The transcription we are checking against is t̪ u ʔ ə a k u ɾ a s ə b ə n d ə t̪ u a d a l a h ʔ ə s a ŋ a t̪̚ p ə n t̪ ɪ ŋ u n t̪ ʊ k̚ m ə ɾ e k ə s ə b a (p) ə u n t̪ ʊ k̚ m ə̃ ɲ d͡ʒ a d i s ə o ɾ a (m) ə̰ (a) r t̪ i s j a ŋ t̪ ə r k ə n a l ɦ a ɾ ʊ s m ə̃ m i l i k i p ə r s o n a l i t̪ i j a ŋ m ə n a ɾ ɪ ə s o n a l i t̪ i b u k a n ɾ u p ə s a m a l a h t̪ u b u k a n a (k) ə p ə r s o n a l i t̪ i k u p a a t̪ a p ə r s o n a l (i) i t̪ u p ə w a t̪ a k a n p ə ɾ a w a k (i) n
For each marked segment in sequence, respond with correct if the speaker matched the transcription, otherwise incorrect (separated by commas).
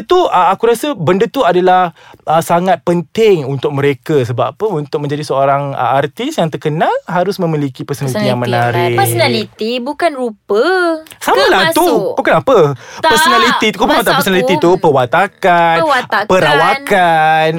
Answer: correct, incorrect, correct, incorrect, correct, incorrect